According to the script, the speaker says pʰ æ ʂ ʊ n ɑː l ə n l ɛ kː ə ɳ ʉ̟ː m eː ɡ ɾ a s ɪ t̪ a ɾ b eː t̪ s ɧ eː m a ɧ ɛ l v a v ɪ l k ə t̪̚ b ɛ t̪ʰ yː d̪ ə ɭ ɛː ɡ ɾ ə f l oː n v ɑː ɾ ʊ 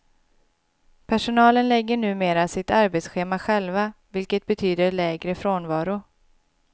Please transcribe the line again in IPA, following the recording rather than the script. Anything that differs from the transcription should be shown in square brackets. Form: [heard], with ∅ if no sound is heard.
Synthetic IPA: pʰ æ ʂ ʊ n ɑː l ə n l ɛ [ɡː] ə ɳ ʉ̟ː m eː [∅] ɾ a s ɪ t̪ a ɾ b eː t̪ s ɧ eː m a ɧ ɛ l v a v ɪ l k ə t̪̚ b ɛ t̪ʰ yː d̪ ə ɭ ɛː ɡ ɾ ə f [ɾ] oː n v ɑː ɾ ʊ